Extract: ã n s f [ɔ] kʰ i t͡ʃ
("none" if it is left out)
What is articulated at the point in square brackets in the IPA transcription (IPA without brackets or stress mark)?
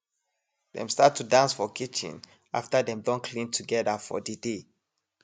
ɔ